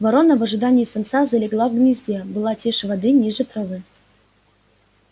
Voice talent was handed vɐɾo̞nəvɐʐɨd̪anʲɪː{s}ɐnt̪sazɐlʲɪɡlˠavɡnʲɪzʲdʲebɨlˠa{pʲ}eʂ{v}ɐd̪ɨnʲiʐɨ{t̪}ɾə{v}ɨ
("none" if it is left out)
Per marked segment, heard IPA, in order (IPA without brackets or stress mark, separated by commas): s, tʲ, v, t̪, v